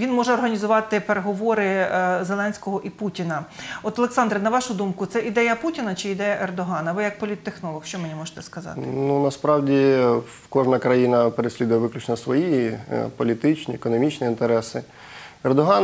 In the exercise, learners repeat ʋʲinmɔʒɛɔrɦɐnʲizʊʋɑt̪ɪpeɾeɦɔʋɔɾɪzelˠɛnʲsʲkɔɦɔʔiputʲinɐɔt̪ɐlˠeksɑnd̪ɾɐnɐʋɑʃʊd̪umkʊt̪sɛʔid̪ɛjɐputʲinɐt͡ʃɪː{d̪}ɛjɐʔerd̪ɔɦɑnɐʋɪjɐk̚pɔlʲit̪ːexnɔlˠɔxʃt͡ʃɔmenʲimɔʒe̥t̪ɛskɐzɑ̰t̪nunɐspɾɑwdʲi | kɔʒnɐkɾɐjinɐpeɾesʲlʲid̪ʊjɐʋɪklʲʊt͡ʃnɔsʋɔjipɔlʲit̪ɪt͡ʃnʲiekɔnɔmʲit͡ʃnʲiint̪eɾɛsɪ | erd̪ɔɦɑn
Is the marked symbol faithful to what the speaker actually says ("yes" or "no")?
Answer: yes